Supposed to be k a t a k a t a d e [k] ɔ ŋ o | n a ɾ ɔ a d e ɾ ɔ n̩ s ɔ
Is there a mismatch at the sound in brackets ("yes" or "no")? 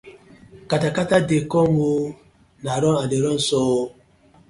no